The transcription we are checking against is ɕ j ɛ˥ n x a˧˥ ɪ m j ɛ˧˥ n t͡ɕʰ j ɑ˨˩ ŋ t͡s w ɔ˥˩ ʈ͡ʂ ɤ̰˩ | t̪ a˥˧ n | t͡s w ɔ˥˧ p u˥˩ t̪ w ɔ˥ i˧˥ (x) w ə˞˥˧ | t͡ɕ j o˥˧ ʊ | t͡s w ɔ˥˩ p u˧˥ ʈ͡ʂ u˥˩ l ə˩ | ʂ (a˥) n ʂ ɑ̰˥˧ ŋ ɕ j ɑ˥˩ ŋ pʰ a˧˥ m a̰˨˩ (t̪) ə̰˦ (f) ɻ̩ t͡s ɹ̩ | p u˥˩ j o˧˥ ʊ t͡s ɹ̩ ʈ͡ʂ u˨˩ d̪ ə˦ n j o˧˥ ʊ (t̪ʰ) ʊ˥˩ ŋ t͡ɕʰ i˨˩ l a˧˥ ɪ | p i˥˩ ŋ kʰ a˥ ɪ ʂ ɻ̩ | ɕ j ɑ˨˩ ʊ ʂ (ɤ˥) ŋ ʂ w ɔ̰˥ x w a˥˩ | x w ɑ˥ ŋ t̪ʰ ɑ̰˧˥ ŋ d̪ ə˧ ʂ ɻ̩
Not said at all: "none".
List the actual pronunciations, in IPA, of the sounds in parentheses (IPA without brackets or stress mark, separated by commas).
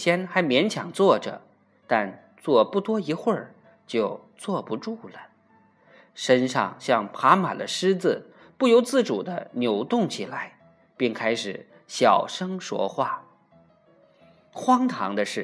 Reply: x, ə˥, d̪, ʂ, t̪, ɤ˥